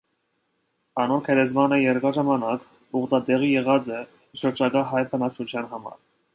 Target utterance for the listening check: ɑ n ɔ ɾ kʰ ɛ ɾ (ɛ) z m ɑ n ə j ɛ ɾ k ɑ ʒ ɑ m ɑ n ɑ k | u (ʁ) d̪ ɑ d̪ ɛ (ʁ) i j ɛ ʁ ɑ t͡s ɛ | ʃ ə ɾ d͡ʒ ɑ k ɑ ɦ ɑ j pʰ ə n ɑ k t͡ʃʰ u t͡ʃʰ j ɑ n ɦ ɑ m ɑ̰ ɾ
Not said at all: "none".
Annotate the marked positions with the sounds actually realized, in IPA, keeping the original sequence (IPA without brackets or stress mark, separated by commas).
ɛ, ʁ, ʁ